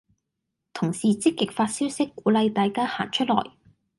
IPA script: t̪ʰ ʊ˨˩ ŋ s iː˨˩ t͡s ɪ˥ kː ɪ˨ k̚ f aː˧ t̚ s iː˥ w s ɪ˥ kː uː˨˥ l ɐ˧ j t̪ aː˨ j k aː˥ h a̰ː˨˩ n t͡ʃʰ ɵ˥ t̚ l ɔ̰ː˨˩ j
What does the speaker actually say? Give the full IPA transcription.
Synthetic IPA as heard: t̪ʰ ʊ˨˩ ŋ s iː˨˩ t͡s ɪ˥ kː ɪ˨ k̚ f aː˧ t̚ s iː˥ w s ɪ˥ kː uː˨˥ l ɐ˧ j t̪ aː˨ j k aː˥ h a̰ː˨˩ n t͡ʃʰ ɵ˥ t̚ l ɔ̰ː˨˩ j